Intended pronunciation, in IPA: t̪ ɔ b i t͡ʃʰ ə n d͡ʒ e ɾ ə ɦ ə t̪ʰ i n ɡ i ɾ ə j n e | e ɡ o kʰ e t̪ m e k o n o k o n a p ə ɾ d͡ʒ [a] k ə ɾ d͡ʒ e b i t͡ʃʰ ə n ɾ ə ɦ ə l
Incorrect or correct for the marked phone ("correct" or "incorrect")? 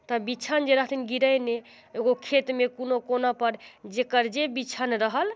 incorrect